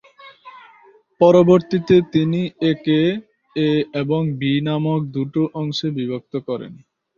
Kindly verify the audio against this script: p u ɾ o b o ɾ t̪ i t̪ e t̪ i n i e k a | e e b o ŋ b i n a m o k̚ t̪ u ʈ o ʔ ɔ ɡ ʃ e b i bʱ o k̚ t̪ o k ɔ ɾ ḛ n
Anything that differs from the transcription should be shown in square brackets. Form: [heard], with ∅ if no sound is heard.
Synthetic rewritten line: p [ɔ] ɾ o b o ɾ t̪ i t̪ e t̪ i n i e k [e] | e e b o ŋ b i n a m o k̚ [d̪] u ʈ o ʔ ɔ [ŋ] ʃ e b i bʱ o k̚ t̪ o k ɔ ɾ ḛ n